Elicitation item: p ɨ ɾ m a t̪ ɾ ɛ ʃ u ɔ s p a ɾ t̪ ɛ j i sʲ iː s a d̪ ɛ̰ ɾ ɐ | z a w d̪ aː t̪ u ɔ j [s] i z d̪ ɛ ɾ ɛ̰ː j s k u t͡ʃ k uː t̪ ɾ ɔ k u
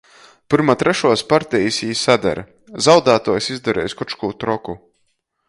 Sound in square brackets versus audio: correct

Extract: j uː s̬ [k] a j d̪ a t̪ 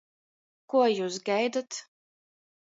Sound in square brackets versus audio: incorrect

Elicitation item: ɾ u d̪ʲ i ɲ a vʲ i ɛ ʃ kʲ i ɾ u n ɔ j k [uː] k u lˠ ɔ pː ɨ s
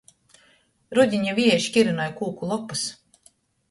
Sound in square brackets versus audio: correct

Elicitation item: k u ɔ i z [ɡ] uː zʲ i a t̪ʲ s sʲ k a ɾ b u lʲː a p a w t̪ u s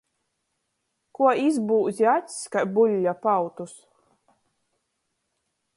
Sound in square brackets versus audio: incorrect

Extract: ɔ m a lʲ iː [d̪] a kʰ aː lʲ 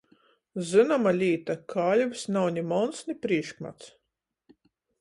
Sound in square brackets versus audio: incorrect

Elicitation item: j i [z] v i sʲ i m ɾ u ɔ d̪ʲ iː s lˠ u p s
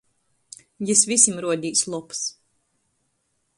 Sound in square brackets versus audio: incorrect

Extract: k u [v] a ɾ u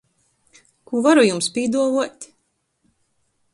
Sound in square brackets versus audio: correct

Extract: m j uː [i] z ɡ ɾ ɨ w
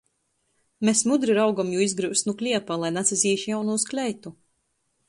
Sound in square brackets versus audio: correct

